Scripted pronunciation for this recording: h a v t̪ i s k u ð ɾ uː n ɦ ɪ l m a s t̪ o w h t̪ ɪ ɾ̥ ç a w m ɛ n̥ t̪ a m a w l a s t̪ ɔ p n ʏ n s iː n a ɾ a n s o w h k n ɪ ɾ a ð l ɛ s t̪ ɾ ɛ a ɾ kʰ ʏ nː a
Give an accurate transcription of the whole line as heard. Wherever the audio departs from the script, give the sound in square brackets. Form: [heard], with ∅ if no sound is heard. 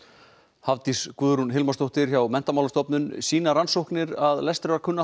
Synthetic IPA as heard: h a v t̪ i s k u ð ɾ [u] n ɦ ɪ l m a s t̪ o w h t̪ ɪ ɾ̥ ç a w m ɛ n̥ t̪ a m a w l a s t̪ ɔ p n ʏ n s iː n a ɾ a n s o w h k n ɪ ɾ a ð l ɛ s t̪ ɾ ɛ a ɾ kʰ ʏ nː a